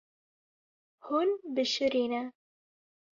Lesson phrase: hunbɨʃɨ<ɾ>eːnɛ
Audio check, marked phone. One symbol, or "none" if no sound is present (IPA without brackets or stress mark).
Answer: ɾ